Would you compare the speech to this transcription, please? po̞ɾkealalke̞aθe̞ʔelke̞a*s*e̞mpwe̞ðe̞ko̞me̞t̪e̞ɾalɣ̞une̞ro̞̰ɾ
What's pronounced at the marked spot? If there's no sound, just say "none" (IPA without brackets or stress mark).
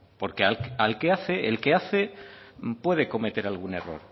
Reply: θ